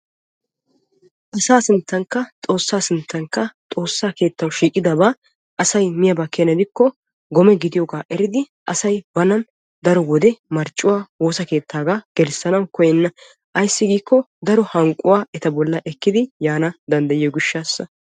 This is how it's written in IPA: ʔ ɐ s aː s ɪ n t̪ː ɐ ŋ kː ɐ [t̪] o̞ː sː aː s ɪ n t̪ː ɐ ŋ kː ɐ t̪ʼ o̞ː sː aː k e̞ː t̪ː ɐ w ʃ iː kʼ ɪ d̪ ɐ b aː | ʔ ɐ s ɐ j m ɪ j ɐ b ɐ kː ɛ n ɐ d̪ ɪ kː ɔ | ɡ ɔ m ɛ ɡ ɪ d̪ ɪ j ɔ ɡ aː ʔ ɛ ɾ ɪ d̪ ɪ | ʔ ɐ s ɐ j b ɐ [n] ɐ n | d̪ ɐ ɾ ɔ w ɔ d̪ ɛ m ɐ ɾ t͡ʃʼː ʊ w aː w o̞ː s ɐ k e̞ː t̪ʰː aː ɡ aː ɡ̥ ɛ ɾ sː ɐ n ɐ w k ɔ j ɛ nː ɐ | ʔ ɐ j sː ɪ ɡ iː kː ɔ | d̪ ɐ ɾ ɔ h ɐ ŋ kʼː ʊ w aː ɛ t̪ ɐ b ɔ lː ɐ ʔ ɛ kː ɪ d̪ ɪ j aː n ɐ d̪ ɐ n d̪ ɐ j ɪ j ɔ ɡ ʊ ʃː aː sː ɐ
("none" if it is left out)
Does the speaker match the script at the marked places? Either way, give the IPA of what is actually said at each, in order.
t̪ʼ, n

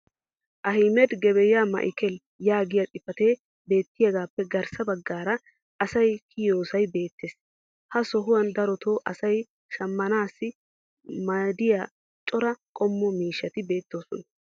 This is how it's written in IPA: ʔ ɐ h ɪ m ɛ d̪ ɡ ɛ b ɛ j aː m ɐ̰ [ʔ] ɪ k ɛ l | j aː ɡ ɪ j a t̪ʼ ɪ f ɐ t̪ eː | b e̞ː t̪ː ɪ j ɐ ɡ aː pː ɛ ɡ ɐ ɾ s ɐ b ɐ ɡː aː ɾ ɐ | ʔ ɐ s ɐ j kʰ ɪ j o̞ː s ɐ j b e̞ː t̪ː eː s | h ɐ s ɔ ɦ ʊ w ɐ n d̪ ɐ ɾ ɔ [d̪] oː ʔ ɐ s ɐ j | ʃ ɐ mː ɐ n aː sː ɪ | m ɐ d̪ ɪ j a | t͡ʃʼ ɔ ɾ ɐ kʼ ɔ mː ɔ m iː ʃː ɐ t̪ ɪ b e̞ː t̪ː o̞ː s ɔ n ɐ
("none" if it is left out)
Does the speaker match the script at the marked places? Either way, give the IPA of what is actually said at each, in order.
ʔ, t̪

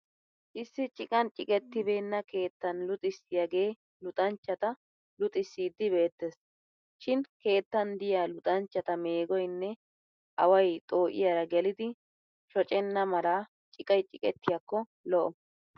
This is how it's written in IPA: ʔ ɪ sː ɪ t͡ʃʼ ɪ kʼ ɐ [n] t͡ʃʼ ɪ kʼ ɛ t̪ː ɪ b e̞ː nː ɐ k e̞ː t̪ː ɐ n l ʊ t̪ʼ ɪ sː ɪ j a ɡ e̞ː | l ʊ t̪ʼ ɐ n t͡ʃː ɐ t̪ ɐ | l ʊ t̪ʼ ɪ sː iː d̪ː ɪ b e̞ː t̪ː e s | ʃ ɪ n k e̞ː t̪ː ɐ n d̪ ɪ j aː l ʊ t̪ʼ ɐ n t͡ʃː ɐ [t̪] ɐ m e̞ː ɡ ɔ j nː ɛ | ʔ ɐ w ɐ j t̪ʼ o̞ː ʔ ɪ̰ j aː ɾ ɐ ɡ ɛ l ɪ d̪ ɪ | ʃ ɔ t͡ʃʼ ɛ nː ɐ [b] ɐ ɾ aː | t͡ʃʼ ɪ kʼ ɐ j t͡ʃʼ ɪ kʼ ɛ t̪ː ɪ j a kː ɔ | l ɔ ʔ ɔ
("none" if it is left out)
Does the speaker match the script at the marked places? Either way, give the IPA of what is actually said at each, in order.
n, t̪, m

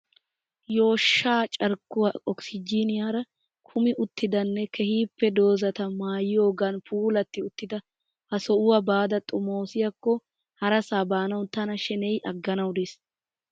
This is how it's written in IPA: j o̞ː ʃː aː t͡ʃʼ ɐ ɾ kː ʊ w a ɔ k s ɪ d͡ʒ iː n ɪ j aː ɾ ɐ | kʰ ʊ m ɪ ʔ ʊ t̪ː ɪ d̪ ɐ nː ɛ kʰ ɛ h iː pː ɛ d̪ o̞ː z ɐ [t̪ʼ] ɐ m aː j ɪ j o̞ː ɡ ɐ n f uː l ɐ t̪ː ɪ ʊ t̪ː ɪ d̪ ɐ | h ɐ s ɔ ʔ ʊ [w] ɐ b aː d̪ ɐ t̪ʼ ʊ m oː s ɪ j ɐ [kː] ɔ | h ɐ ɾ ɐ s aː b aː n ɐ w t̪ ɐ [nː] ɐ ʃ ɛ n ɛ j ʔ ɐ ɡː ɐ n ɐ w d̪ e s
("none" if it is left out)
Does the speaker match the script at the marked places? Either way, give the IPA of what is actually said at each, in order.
t̪, w, kː, n

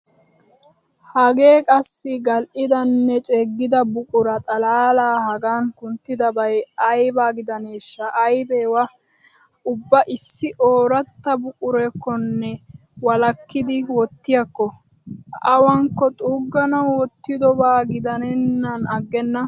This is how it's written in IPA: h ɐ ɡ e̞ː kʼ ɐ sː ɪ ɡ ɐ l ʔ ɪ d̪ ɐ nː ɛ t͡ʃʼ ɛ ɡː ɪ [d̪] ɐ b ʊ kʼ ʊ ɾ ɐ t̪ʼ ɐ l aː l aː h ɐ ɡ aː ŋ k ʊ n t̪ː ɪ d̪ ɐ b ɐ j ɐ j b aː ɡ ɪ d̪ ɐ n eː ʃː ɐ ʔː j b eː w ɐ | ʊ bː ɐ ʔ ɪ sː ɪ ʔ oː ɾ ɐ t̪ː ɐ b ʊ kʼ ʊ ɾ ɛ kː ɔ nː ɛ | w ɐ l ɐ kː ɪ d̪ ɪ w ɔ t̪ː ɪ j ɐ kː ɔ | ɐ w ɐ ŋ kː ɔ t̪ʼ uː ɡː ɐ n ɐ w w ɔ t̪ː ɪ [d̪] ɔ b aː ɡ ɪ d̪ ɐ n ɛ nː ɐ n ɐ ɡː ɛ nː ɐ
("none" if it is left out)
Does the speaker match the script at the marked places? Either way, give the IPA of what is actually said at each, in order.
d̪, d̪

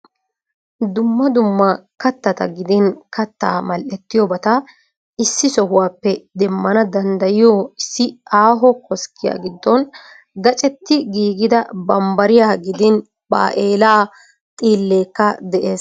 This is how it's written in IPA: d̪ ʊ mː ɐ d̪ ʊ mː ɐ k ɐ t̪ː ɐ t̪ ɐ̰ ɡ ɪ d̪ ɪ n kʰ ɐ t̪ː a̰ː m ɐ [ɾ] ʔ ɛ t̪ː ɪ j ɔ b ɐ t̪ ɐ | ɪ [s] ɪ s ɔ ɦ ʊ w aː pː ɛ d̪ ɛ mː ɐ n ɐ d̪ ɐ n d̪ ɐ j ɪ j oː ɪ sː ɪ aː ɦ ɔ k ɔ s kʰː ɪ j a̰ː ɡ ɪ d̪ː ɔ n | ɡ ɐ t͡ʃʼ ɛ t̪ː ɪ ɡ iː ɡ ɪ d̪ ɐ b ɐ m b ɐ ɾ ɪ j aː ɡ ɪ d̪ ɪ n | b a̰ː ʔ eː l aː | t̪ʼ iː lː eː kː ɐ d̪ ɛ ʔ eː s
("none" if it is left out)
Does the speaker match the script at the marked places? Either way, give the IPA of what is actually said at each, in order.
l, sː

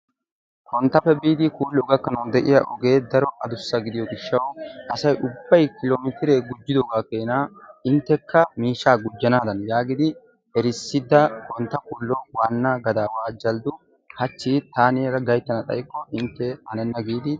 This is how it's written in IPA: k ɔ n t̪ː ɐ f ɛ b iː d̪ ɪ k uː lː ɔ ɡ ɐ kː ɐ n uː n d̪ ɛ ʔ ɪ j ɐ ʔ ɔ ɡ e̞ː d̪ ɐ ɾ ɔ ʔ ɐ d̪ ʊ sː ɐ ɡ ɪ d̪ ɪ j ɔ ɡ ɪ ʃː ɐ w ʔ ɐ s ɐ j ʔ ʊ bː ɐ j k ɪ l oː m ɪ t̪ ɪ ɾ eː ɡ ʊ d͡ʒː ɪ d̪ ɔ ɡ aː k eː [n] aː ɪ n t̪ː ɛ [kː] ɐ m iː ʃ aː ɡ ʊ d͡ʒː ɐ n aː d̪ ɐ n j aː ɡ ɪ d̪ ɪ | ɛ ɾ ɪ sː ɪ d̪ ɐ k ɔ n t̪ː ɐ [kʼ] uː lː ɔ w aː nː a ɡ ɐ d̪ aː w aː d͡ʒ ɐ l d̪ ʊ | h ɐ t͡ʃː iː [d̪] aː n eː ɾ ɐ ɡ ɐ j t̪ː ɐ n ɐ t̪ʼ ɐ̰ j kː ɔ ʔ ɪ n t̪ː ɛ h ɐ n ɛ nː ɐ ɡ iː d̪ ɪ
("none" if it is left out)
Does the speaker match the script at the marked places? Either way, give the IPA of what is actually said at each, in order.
n, kː, k, t̪

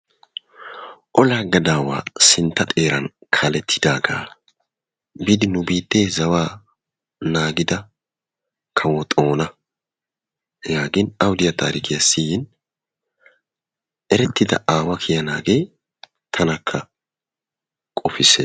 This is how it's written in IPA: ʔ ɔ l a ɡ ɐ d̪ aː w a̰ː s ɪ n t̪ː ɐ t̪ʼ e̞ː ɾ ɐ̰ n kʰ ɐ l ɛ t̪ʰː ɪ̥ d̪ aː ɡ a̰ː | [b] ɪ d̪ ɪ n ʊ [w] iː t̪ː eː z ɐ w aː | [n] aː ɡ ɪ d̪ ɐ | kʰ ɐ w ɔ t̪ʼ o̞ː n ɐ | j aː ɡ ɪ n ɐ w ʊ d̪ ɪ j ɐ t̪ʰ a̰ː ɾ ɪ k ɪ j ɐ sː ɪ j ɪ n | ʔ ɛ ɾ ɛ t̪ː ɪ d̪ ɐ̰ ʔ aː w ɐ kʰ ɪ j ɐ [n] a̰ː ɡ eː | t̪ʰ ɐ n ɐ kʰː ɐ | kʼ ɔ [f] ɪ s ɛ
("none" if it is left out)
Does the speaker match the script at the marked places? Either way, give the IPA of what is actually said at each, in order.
b, b, n, n, f

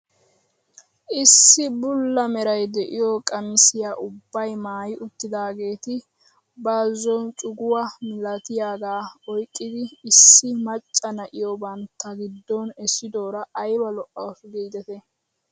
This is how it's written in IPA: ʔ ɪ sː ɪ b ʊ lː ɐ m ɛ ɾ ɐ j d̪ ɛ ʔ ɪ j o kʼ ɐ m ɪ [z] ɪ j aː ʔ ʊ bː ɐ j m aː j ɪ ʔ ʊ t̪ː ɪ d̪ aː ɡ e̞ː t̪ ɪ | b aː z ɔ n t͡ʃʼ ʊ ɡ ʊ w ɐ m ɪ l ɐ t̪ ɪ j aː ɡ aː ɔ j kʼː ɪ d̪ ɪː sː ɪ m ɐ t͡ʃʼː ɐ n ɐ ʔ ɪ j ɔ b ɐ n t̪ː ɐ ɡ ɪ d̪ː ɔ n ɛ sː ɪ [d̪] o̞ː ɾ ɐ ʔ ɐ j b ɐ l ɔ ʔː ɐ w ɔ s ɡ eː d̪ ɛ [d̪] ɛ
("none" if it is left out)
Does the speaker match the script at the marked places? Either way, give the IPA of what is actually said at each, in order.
s, d̪, t̪

